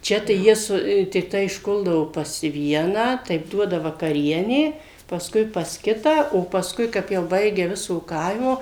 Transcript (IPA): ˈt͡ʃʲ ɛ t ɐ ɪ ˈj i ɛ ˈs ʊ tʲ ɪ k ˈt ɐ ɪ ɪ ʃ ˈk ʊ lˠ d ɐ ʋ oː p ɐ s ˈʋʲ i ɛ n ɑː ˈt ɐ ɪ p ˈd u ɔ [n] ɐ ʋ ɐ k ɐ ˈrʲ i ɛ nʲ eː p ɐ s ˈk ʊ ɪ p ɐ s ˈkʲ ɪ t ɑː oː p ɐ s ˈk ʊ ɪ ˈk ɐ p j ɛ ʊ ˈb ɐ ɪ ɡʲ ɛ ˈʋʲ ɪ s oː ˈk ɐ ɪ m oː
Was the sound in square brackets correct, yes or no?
no